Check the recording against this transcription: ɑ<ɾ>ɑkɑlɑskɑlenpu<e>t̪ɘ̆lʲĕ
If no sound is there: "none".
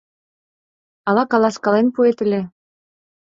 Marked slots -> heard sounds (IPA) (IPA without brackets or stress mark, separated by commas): l, e